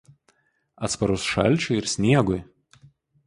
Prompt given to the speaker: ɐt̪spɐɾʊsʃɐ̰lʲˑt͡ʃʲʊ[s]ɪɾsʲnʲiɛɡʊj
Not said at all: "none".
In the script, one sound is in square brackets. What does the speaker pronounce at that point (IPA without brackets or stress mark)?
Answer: none